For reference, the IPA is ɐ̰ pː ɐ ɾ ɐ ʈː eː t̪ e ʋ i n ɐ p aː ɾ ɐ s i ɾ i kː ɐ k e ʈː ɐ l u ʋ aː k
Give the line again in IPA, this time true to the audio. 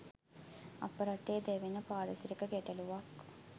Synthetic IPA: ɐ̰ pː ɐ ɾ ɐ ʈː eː d̪ e ʋ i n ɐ p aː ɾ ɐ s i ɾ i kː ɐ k e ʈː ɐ l u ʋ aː k